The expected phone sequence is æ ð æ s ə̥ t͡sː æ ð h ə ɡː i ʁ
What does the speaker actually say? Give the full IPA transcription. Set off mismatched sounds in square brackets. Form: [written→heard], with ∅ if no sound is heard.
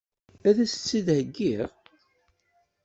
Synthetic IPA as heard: æ ð æ s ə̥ t͡sː [æ→i] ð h ə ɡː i ʁ

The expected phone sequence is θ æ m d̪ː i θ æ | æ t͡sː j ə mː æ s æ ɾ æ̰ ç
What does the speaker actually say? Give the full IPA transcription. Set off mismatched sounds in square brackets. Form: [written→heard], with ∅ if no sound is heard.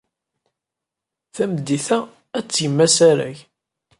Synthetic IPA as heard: θ æ m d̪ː i θ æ | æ t͡sː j ə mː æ s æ ɾ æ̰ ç

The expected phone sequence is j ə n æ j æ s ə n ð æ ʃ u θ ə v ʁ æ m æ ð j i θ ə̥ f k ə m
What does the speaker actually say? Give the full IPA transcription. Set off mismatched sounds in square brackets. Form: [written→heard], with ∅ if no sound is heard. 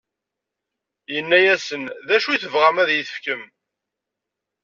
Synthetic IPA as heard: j ə [n→nː] æ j æ s ə n ð æ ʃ u θ ə v ʁ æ m æ ð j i θ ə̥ f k ə m

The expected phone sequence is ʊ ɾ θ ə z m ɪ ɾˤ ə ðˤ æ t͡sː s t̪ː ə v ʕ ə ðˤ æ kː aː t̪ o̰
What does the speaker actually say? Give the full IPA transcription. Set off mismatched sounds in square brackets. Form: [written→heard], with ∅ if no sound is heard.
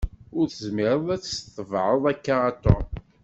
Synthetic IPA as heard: ʊ ɾ θ ə z m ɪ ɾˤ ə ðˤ æ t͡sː s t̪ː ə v ʕ ə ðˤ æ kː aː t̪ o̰

